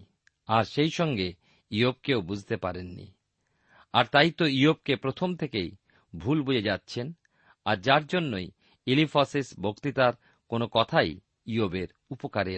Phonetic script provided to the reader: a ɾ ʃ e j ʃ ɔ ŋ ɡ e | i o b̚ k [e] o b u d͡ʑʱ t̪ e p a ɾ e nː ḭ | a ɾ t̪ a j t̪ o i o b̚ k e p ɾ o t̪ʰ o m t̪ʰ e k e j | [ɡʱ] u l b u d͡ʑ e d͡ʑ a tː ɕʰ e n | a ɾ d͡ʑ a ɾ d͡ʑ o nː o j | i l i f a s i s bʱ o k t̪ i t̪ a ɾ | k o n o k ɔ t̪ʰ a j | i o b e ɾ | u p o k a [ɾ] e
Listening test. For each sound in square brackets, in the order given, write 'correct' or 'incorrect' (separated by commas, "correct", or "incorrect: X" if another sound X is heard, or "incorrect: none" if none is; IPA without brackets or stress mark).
correct, incorrect: bʱ, correct